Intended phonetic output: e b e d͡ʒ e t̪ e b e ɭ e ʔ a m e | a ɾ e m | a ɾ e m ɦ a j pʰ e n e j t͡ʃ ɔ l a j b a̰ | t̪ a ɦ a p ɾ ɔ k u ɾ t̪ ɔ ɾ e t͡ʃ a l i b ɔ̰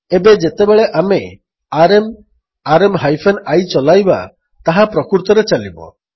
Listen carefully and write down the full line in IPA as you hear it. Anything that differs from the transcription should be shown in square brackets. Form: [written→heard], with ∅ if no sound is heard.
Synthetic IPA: e b e d͡ʒ e t̪ e b e ɭ e ʔ a m e | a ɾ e m | a ɾ e m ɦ a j pʰ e n [e→a] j t͡ʃ ɔ l a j b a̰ | t̪ a ɦ a p ɾ ɔ k u ɾ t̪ ɔ ɾ e t͡ʃ a l i b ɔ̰